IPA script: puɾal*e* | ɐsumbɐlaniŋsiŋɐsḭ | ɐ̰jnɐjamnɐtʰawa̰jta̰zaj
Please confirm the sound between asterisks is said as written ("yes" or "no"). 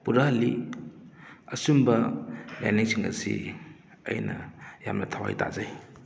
no